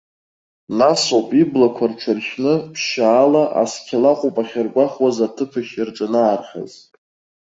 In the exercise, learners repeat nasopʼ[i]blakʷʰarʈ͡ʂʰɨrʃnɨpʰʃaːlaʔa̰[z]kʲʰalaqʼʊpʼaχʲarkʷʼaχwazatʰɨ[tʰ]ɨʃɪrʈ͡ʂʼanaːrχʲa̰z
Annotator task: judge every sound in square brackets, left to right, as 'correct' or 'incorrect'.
correct, incorrect: s, incorrect: pʰ

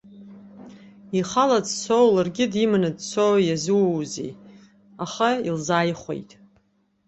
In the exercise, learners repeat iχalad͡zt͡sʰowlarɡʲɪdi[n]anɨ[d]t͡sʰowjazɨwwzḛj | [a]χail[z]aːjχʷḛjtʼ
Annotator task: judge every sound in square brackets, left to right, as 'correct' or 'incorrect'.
incorrect: m, correct, correct, correct

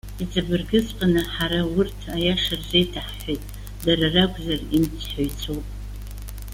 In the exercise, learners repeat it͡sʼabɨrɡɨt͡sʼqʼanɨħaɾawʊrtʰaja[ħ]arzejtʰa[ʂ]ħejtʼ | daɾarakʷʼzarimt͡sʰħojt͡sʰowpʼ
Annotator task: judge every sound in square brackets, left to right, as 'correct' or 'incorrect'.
incorrect: ʂ, incorrect: ħ

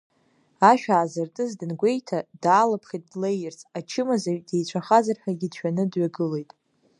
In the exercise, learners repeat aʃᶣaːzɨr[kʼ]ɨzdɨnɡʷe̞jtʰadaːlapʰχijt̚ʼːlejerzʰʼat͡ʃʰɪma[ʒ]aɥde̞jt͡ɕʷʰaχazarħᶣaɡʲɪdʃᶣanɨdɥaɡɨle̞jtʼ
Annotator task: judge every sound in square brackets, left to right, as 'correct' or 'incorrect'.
incorrect: tʼ, incorrect: z

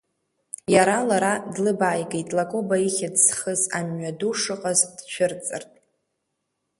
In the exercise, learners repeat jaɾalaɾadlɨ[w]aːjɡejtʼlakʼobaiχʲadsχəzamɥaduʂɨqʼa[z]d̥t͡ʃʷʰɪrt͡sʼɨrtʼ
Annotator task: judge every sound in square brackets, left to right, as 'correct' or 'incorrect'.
incorrect: b, correct

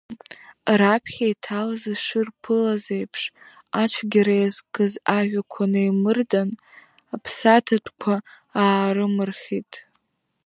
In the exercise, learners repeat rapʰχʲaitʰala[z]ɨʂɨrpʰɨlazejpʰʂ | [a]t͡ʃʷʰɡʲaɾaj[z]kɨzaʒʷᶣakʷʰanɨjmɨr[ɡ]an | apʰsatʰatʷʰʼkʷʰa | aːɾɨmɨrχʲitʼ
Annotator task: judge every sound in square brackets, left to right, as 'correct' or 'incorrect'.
correct, correct, correct, incorrect: d

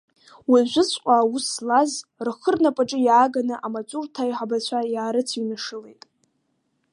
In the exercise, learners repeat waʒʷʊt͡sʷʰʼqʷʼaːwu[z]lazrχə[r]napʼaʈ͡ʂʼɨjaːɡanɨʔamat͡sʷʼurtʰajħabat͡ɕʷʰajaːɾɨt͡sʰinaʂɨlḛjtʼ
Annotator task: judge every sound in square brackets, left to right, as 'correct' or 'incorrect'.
incorrect: s, correct

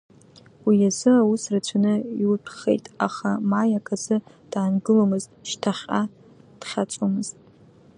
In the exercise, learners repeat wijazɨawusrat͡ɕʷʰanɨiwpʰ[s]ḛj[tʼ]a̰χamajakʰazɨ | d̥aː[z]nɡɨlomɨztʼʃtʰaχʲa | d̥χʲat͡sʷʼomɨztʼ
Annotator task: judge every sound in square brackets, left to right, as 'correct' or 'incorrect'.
incorrect: χ, correct, incorrect: none

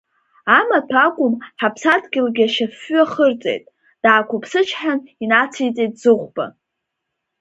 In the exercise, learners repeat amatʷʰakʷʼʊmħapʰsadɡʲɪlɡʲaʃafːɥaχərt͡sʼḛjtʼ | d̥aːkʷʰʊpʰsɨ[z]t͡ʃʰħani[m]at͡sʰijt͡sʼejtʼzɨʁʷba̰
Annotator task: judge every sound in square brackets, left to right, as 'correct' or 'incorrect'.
incorrect: none, incorrect: n

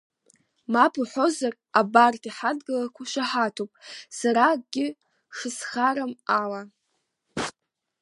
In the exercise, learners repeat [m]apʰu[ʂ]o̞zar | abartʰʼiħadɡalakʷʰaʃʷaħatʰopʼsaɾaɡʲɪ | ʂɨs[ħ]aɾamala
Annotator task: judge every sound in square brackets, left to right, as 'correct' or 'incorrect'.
correct, incorrect: ħ, incorrect: χ

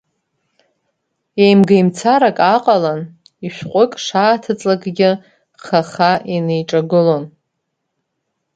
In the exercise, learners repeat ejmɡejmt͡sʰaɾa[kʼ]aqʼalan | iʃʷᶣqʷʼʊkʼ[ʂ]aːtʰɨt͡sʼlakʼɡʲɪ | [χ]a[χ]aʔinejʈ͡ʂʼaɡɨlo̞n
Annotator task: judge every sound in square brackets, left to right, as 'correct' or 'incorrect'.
correct, correct, correct, correct

